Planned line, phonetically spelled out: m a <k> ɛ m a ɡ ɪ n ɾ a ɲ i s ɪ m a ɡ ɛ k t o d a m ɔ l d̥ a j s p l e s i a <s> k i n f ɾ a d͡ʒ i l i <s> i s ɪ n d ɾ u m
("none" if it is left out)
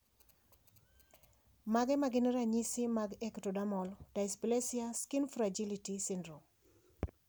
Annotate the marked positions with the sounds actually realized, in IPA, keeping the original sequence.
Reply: ɡ, s, t

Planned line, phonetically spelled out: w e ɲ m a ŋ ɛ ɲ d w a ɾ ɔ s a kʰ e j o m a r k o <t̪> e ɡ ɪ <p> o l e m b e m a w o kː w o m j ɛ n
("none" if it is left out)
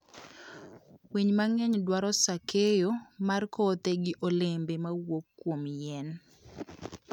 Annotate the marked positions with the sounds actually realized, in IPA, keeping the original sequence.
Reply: t̪, ʔ

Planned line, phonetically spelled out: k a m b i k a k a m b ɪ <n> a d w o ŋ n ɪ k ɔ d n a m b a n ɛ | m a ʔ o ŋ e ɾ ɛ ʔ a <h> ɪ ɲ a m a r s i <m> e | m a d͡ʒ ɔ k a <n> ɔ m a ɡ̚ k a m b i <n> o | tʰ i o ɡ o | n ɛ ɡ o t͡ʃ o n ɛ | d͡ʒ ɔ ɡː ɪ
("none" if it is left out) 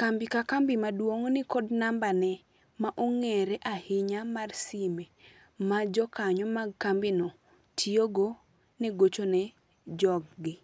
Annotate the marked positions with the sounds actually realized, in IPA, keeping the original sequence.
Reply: m, h, m, ɲ, n

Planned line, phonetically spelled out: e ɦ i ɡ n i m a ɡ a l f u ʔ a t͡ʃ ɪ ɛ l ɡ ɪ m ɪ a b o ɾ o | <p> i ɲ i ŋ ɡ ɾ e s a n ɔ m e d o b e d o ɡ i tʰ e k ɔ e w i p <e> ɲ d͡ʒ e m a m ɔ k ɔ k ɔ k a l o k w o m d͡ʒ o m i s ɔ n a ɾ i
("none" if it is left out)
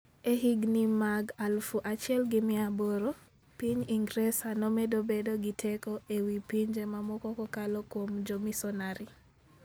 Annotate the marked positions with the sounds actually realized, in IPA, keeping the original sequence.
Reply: p, i

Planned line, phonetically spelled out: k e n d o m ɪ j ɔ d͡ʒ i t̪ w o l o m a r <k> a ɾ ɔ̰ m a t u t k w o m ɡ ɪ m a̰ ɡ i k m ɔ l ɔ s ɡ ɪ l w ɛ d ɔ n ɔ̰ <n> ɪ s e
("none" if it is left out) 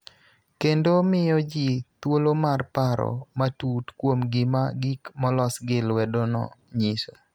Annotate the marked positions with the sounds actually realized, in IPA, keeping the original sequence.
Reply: p, ɲ

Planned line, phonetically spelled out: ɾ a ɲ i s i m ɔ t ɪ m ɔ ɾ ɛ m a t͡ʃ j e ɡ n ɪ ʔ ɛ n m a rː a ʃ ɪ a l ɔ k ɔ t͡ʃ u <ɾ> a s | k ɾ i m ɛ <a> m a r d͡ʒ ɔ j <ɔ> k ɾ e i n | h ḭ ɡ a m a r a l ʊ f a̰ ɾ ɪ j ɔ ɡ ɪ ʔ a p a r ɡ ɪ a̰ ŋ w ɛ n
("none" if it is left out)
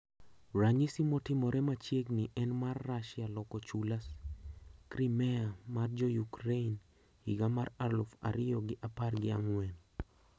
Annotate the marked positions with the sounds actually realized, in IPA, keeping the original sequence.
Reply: l, a, u

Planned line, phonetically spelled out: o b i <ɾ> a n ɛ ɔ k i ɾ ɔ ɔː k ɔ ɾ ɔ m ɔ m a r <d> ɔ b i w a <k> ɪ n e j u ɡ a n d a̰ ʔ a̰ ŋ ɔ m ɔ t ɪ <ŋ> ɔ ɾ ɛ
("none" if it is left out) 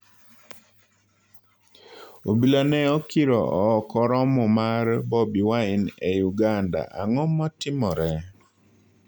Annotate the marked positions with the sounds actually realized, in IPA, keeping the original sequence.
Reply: l, b, none, m

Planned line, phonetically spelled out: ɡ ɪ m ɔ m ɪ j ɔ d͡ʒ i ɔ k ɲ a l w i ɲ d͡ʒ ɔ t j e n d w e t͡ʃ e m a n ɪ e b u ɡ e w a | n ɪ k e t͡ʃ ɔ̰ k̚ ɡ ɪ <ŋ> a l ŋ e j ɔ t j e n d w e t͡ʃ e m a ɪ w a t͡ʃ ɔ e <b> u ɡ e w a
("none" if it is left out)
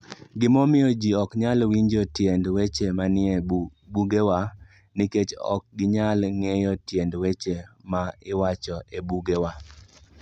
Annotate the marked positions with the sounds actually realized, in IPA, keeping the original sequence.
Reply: ɲ, b

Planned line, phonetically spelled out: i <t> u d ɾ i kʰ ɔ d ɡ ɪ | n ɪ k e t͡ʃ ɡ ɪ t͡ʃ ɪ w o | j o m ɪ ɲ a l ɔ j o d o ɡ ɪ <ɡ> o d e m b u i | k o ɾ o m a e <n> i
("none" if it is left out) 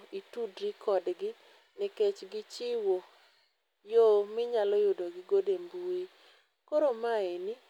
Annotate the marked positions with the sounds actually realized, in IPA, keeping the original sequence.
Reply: t, ɡ, n

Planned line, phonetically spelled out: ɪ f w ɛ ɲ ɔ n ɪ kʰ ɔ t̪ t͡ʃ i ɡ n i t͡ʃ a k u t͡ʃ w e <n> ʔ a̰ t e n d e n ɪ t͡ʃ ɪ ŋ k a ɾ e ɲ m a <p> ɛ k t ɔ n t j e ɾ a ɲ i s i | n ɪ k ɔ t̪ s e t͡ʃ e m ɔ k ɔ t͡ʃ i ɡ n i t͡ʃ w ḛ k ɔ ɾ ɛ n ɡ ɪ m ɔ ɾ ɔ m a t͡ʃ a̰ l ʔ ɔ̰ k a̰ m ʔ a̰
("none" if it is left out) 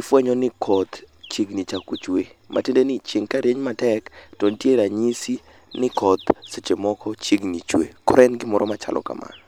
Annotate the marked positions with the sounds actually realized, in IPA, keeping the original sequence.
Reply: m, t

